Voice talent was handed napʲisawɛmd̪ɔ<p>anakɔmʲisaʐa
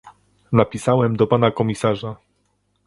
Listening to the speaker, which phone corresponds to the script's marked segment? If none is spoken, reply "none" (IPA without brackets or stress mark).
p